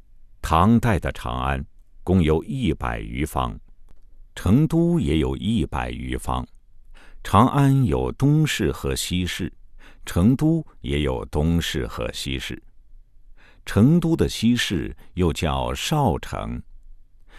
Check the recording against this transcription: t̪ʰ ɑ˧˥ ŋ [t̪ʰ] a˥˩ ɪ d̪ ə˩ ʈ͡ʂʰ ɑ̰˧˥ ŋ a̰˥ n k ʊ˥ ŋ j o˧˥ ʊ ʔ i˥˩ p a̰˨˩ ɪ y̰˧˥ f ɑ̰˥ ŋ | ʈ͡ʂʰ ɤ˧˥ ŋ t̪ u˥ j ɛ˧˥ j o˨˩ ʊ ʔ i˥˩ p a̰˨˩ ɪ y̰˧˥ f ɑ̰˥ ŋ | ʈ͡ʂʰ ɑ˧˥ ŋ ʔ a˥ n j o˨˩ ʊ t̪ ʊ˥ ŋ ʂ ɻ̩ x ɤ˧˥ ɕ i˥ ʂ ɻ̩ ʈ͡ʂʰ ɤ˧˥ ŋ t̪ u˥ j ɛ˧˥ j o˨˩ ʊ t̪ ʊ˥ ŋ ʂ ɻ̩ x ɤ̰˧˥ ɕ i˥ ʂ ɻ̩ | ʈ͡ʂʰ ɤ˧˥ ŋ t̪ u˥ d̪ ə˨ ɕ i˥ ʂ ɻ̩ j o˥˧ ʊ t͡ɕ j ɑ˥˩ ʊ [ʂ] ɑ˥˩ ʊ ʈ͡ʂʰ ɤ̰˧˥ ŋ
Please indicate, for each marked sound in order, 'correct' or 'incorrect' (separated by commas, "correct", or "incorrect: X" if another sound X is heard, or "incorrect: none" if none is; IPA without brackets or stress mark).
incorrect: t̪, correct